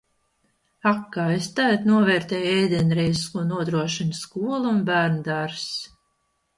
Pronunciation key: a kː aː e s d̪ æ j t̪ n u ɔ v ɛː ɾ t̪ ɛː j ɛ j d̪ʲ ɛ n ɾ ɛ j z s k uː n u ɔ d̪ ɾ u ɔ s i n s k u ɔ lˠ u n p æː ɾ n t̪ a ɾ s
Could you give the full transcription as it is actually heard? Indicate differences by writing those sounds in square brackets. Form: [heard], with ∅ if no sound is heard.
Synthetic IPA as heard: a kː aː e s [t̪] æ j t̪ n u ɔ v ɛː ɾ t̪ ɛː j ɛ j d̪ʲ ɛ n ɾ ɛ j z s k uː n u ɔ d̪ ɾ u ɔ [ʃ] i n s k u ɔ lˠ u n [b] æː ɾ n [d̪] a ɾ s